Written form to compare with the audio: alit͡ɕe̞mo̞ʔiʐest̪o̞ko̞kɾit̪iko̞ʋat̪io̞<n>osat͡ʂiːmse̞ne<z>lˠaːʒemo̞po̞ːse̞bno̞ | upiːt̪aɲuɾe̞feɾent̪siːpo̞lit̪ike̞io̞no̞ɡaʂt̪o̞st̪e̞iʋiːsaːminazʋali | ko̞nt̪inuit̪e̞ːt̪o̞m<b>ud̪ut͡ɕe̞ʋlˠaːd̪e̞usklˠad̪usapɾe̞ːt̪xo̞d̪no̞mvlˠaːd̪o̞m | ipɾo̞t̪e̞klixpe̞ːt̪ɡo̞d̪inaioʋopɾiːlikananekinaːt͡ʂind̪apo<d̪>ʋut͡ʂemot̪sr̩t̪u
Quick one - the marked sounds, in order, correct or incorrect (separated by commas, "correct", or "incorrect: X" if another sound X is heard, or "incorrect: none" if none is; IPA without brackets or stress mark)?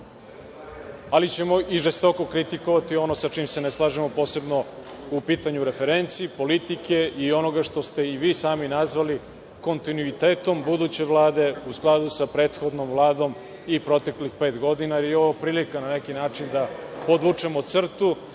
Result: correct, incorrect: s, correct, correct